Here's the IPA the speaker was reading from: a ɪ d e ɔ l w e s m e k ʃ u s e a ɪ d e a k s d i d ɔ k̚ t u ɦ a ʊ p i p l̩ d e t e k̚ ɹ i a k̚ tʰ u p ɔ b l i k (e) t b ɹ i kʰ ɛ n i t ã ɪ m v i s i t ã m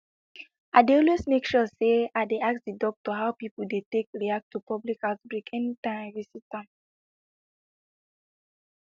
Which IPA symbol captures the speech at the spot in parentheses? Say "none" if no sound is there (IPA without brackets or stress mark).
a